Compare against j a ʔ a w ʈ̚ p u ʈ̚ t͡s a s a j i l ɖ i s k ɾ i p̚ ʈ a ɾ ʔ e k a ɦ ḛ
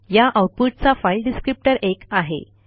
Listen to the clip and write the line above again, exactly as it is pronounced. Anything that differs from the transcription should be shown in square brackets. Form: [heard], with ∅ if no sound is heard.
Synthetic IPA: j a ʔ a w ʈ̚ p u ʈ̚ t͡s a [f] a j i l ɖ i s k ɾ i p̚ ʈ [ə] ɾ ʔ e k a ɦ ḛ